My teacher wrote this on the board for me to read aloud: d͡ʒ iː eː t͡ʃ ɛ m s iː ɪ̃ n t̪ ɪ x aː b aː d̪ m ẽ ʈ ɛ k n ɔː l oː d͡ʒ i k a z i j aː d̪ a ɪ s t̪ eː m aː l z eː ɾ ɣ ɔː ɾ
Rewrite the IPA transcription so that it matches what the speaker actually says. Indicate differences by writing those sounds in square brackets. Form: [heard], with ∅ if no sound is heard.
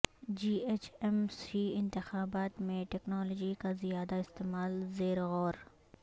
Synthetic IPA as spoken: d͡ʒ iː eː t͡ʃ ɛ m s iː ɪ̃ n t̪ ɪ x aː b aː [t̪] m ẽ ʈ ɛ k n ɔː l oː d͡ʒ i k a z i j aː d̪ a ɪ s t̪ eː m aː l z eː ɾ ɣ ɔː ɾ